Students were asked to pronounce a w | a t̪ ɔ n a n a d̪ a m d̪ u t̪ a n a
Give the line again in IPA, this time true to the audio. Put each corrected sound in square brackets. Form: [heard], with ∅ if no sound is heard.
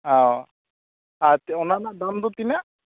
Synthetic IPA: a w | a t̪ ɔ n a n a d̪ a m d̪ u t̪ [i] n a